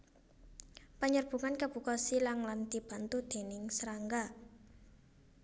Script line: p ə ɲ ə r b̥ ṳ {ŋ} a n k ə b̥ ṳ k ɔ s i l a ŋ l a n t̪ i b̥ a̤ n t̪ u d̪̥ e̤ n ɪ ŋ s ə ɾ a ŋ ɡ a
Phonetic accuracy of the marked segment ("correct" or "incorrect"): correct